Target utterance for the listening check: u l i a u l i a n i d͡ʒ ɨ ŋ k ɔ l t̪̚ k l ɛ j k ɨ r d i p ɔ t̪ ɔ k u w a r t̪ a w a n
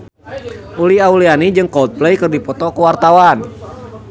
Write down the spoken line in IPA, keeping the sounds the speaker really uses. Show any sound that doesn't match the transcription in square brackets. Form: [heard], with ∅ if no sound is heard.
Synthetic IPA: u l i a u l i a n i d͡ʒ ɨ ŋ k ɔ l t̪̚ [p] l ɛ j k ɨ r d i p ɔ t̪ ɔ k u w a r t̪ a w a n